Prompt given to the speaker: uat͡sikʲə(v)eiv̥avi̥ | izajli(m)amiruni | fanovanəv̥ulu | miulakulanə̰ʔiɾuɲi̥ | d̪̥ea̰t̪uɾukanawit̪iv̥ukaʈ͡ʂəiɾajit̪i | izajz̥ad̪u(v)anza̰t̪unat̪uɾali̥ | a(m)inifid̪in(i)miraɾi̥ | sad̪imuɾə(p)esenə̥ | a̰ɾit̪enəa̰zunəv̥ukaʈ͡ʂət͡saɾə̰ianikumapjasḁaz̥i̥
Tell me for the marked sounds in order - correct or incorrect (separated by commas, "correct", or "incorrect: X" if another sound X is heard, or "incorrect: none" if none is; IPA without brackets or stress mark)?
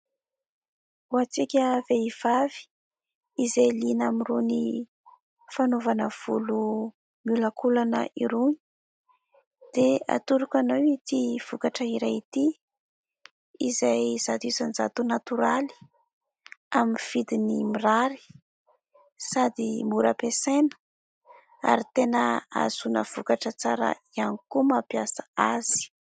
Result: correct, incorrect: n, incorrect: z, correct, correct, correct